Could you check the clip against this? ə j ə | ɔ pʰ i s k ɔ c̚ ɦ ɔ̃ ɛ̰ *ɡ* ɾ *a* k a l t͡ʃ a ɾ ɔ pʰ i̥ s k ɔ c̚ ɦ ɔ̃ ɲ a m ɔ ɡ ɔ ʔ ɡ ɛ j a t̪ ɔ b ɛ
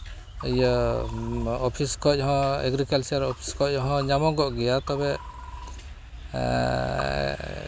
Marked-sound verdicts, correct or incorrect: correct, incorrect

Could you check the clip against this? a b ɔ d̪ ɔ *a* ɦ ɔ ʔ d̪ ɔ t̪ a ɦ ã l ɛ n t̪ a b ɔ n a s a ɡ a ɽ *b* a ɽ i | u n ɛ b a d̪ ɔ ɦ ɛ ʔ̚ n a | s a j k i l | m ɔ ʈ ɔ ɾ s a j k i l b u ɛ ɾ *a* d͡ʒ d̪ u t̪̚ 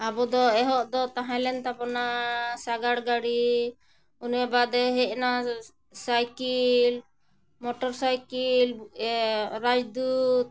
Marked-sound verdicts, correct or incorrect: incorrect, incorrect, correct

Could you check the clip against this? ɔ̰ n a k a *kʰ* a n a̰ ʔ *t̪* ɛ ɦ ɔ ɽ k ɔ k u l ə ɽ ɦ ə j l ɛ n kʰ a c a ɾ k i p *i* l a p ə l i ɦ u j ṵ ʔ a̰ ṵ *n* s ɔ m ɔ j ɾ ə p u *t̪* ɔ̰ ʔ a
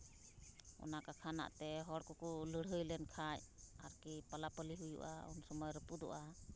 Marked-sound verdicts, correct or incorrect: correct, correct, incorrect, correct, incorrect

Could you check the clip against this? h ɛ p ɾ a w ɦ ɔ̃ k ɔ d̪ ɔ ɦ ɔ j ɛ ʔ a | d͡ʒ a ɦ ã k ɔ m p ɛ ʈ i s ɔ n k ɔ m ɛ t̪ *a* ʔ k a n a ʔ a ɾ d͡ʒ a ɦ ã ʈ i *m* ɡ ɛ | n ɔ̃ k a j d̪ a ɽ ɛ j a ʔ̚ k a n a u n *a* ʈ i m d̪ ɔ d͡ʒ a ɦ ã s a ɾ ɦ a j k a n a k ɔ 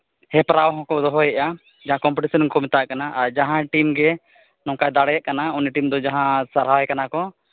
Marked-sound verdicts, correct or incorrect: correct, correct, incorrect

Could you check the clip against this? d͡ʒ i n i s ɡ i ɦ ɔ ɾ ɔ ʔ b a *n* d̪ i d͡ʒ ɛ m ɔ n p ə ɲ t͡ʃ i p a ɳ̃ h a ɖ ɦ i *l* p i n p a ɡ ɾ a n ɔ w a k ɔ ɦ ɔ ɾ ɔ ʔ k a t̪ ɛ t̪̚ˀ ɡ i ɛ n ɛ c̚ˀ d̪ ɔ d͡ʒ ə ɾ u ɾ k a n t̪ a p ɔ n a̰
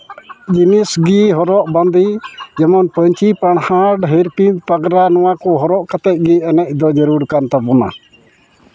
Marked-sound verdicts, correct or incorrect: correct, incorrect

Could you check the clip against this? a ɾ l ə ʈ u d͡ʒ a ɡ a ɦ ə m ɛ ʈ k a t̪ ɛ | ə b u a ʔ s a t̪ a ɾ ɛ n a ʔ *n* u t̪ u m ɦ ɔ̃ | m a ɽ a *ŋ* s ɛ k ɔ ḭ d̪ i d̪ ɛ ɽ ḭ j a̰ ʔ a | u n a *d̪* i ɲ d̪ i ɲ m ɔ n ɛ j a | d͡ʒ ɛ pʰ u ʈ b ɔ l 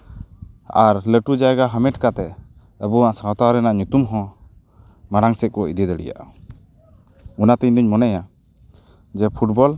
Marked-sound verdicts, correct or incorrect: incorrect, correct, incorrect

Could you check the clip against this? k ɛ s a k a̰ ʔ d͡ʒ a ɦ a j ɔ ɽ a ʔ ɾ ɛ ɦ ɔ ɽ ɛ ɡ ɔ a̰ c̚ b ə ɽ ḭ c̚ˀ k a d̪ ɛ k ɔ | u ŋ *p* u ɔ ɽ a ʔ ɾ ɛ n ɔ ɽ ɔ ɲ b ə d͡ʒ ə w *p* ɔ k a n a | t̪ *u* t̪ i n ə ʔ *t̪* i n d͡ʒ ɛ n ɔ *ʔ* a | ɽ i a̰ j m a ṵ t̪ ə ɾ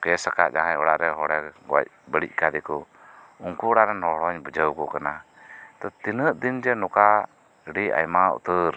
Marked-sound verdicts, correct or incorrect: incorrect, incorrect, incorrect, incorrect, incorrect

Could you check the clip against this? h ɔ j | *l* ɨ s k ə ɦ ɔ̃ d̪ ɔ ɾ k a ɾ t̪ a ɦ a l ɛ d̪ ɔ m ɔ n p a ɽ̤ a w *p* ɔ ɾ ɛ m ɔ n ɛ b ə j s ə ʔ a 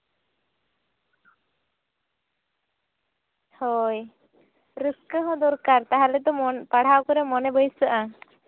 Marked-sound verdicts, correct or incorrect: incorrect, incorrect

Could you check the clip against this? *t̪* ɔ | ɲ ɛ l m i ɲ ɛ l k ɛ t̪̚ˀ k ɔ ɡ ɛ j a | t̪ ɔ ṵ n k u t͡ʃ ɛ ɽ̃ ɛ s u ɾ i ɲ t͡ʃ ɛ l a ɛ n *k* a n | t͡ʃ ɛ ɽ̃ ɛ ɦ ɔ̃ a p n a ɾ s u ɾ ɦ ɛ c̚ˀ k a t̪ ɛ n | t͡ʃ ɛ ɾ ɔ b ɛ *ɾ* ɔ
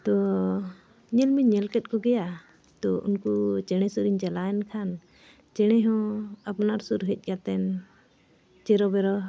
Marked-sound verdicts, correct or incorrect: correct, incorrect, correct

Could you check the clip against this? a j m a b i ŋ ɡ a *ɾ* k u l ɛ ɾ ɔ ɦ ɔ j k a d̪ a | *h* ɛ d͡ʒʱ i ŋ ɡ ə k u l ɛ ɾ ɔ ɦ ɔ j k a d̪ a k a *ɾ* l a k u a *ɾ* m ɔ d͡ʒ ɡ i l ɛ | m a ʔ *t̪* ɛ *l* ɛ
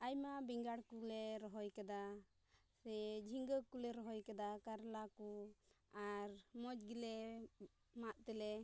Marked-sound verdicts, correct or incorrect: incorrect, incorrect, correct, correct, correct, correct

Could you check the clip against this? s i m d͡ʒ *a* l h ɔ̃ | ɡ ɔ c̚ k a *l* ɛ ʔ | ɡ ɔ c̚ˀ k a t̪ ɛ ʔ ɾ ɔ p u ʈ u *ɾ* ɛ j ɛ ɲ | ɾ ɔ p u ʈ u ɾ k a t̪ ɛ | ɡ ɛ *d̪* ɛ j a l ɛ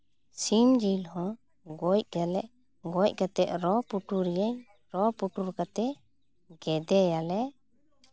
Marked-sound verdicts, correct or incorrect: incorrect, correct, correct, correct

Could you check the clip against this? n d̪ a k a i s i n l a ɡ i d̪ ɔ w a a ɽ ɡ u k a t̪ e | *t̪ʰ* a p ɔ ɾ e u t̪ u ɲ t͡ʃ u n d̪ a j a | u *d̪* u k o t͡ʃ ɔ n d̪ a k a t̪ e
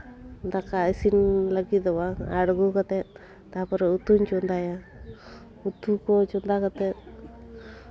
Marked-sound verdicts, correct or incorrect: incorrect, incorrect

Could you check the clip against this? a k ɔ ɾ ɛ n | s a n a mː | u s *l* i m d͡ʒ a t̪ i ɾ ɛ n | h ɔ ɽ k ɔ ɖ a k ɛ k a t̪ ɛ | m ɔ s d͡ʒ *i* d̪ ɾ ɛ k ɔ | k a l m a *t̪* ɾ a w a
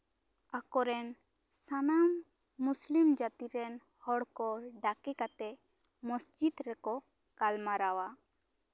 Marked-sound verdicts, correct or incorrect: correct, correct, incorrect

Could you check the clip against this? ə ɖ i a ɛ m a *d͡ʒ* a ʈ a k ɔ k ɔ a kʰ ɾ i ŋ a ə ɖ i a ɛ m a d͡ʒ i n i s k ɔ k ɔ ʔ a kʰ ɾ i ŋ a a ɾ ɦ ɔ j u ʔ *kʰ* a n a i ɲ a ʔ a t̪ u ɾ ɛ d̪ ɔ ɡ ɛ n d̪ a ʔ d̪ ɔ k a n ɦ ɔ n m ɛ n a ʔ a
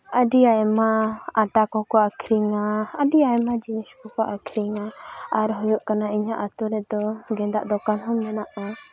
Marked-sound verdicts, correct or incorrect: incorrect, incorrect

